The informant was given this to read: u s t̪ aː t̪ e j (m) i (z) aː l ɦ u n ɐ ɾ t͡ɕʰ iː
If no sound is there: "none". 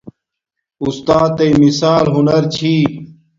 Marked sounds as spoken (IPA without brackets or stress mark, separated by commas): m, s